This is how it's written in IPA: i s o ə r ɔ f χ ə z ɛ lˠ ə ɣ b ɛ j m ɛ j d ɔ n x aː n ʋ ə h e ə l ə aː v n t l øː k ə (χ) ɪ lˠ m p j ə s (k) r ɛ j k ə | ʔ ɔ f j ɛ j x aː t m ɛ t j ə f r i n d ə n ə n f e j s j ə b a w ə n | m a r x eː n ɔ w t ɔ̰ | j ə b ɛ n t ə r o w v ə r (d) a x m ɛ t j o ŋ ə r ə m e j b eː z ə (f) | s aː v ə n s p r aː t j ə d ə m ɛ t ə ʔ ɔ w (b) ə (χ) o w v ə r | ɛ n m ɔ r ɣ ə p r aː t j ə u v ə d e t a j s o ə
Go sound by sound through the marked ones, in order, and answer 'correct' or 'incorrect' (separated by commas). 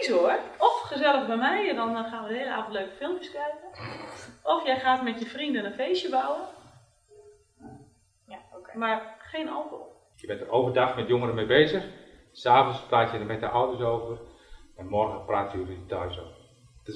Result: incorrect, correct, correct, incorrect, incorrect, incorrect